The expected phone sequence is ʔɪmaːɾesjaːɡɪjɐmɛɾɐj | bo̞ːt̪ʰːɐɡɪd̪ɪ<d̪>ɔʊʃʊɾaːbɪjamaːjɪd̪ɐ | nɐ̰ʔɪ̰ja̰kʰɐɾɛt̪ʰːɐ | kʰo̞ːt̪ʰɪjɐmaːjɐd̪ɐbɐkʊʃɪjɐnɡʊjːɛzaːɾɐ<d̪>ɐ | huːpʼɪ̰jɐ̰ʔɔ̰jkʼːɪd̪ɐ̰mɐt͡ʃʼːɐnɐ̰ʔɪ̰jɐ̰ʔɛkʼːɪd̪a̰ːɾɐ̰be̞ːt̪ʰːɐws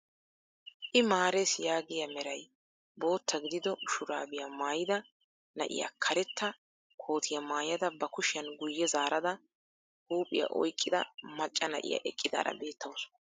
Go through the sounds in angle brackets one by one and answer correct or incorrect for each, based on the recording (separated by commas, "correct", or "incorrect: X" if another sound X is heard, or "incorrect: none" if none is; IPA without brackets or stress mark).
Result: correct, correct